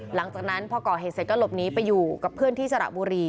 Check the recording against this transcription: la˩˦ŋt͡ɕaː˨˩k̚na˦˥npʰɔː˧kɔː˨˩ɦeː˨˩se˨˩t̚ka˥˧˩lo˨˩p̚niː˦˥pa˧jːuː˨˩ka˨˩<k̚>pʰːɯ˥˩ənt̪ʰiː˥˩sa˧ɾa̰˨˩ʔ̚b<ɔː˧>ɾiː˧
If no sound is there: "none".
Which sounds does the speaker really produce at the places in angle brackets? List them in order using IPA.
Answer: none, uː˧

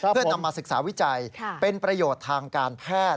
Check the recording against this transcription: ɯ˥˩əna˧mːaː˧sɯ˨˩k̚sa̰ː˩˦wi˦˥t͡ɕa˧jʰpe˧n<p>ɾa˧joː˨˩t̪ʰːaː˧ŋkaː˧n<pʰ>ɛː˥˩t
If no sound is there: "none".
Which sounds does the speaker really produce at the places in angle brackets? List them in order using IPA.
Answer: p, pʰ

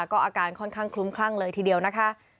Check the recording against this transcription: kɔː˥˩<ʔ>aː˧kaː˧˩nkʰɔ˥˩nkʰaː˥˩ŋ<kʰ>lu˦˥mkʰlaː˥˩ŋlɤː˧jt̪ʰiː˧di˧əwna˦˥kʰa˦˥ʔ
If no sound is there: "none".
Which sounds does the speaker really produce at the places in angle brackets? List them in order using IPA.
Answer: ʔ, kʰ

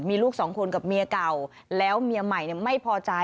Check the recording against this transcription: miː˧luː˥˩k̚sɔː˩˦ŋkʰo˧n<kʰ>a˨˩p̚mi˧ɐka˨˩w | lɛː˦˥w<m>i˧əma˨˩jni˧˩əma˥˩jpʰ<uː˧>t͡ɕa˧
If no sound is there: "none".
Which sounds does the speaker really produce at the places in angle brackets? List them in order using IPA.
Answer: k, m, ɔː˧

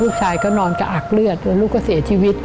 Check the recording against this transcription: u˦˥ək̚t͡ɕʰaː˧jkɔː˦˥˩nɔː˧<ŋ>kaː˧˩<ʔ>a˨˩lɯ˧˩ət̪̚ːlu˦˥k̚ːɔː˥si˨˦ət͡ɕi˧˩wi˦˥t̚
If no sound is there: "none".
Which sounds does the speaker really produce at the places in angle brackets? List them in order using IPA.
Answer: n, ʔ

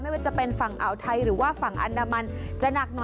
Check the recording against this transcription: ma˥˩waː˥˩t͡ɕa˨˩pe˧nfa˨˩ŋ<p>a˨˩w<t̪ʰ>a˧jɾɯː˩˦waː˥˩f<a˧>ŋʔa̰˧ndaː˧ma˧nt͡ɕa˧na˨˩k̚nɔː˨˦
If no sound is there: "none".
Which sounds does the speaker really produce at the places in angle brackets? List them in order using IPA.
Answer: ʔ, t̪ʰ, a˨˩

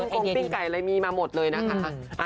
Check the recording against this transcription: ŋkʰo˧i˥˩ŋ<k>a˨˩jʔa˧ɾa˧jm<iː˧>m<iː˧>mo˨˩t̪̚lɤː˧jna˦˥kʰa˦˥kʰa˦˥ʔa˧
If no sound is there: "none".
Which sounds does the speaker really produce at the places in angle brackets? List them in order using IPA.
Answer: k, iː˧, aː˧

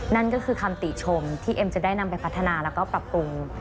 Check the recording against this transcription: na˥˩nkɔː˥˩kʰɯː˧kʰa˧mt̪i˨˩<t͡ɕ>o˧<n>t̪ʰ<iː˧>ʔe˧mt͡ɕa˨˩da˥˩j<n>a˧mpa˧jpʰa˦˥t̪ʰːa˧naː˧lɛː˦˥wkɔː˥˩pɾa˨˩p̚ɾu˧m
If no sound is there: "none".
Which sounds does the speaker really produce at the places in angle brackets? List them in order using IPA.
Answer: t͡ɕʰ, m, iː˥˩, n

